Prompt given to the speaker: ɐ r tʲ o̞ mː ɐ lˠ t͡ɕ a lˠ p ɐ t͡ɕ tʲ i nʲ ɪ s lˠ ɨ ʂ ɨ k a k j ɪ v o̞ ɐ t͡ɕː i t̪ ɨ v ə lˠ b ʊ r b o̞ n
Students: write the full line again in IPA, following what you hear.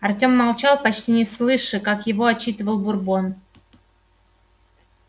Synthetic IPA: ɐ r tʲ o̞ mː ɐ lˠ t͡ɕ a lˠ p ɐ t͡ɕ tʲ i nʲ ɪ s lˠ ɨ ʂ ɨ k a k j ɪ v o̞ ɐ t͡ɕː i t̪ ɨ v ə lˠ b ʊ r b o̞ n